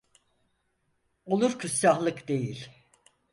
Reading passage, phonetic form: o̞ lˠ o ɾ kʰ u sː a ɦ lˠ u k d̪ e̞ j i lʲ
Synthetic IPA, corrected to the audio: o̞ lˠ u ɾ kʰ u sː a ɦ lˠ ɯ k d̪ e̞ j i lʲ